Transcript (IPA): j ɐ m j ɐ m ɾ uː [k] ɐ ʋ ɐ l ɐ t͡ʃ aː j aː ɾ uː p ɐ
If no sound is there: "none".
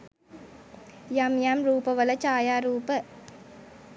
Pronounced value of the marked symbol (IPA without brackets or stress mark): p